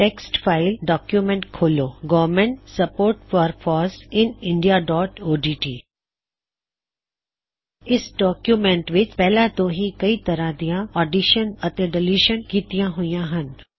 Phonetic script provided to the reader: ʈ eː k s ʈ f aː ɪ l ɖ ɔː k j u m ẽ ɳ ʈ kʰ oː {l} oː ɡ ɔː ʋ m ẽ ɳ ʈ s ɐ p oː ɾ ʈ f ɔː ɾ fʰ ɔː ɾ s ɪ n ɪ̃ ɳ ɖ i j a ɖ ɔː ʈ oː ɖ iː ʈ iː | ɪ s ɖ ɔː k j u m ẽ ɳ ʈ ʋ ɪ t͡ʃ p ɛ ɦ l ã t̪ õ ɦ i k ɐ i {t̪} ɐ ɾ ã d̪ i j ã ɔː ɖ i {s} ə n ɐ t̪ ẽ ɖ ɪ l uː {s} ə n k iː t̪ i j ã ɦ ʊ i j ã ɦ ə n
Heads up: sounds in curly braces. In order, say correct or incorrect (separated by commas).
correct, correct, incorrect, incorrect